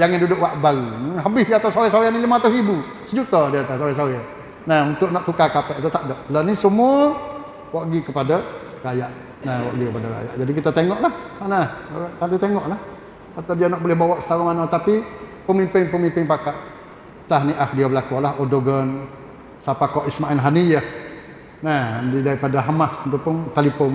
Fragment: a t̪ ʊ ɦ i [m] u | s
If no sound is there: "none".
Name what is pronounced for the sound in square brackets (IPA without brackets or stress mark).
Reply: b